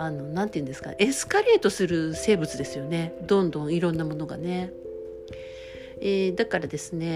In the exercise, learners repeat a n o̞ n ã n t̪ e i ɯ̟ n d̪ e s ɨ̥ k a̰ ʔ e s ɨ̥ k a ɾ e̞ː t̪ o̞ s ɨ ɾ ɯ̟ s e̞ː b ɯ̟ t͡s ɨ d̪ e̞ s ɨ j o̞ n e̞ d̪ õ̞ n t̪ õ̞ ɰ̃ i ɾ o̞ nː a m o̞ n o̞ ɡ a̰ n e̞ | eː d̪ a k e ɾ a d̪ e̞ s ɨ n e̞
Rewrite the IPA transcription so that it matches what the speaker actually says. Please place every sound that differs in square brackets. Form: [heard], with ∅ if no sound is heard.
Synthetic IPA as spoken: a n o̞ n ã n t̪ e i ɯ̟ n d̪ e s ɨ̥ k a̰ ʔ e s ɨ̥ k a ɾ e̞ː t̪ o̞ s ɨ ɾ ɯ̟ s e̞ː b ɯ̟ t͡s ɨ d̪ e̞ s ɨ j o̞ n e̞ d̪ õ̞ n [d̪] õ̞ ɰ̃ i ɾ [õ̞] nː a m o̞ n o̞ ɡ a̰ n e̞ | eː d̪ a k [a] ɾ a d̪ e̞ s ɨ n e̞